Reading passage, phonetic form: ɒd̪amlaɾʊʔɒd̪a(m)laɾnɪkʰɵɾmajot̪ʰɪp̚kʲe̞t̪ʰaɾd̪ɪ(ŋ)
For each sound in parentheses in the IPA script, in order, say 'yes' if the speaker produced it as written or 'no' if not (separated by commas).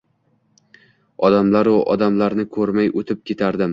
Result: yes, no